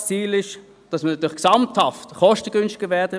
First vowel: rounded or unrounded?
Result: unrounded